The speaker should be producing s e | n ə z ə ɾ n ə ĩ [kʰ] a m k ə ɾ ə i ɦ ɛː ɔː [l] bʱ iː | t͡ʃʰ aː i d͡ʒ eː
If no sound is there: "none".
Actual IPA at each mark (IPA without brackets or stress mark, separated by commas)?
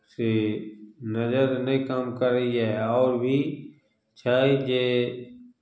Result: k, ɾ